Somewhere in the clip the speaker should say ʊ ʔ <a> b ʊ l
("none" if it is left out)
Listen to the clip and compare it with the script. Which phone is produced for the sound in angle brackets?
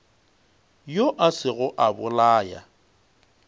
a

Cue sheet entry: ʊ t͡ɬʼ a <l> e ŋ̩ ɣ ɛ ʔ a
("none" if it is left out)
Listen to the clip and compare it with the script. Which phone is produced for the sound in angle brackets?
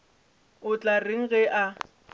r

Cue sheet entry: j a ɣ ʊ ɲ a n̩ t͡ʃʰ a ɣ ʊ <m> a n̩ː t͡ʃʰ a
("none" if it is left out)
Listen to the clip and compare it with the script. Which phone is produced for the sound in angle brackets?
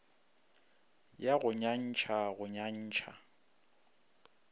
ɲ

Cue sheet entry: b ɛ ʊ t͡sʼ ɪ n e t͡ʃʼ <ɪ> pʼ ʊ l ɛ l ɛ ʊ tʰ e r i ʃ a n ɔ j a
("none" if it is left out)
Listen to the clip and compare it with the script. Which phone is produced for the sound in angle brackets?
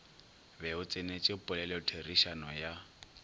ɪ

